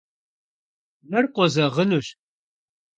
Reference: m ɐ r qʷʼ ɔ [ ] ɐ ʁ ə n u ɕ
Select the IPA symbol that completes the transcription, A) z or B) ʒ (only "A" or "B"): A